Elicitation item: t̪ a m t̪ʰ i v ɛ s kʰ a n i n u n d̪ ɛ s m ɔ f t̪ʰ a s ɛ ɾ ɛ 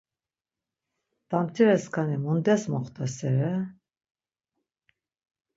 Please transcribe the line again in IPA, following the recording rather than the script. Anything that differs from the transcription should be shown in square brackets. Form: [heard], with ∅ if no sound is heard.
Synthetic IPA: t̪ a m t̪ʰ i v ɛ s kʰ a n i [m] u n d̪ ɛ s m ɔ [χ] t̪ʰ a s ɛ ɾ ɛ